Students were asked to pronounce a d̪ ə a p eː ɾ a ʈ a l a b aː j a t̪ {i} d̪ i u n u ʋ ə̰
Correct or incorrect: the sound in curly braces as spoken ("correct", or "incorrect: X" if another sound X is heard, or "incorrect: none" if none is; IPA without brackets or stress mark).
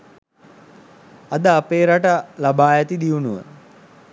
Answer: correct